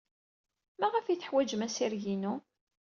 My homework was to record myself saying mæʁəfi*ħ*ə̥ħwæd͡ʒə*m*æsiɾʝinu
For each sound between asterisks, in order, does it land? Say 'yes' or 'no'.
no, yes

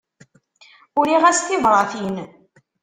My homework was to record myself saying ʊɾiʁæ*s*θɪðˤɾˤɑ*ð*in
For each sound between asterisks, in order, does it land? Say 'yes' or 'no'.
yes, no

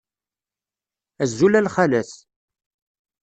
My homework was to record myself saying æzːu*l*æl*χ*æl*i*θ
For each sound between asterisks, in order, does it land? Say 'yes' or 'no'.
yes, yes, no

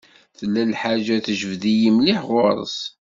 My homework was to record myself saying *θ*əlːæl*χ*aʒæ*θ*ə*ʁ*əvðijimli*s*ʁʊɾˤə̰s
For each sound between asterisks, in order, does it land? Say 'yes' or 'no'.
yes, no, yes, no, no

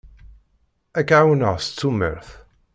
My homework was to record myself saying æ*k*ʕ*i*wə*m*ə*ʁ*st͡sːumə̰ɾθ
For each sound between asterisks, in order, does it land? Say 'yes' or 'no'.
yes, no, no, yes

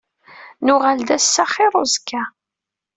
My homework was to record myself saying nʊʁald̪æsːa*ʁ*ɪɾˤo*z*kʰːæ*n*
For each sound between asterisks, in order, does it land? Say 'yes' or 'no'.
no, yes, no

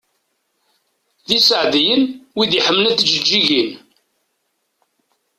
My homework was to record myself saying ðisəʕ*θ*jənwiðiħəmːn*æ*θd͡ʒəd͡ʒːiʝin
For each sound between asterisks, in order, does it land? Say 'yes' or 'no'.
no, yes

